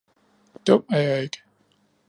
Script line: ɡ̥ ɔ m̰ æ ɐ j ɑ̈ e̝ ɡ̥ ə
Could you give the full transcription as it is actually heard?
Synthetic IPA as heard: d̥ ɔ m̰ æ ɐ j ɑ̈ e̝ ɡ̥ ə